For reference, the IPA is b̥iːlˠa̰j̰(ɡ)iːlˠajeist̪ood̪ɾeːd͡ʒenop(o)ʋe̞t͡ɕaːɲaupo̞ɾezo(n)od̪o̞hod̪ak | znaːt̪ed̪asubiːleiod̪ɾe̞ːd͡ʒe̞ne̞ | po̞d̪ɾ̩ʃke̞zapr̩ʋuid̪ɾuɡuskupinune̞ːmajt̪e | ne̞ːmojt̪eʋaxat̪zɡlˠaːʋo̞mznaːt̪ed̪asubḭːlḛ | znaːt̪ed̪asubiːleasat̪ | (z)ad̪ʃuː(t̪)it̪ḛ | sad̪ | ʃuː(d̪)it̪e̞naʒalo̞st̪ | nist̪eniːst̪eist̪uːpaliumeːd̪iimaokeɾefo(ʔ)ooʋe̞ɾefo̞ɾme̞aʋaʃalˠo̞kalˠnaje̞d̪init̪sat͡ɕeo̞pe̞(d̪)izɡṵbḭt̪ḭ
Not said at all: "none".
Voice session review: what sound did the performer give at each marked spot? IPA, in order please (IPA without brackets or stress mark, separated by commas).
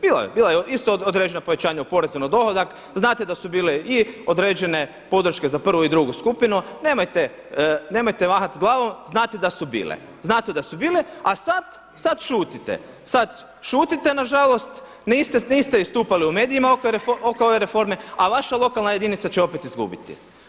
b, o, n, s, t̪, t̪, k, t̪